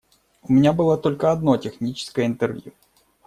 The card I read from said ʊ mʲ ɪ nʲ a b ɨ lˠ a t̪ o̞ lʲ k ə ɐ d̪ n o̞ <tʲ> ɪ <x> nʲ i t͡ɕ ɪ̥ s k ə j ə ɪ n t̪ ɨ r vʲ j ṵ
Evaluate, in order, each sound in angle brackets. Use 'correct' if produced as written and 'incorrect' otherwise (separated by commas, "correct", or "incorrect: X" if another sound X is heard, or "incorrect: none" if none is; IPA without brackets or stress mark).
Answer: correct, correct